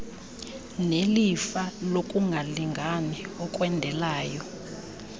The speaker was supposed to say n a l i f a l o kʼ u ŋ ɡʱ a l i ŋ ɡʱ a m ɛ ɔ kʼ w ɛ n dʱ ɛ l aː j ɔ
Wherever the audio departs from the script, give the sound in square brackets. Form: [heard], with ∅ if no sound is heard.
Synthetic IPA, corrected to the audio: n [e] l i f a l o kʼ u ŋ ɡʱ a l i ŋ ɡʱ a [n] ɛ ɔ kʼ w ɛ n dʱ ɛ l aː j ɔ